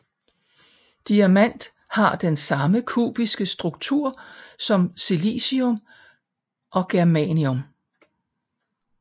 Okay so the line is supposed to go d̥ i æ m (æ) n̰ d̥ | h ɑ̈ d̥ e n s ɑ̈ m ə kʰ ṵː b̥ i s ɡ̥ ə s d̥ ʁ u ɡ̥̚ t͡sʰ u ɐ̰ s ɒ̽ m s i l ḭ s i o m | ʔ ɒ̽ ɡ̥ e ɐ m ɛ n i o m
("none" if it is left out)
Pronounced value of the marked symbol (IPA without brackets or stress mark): æ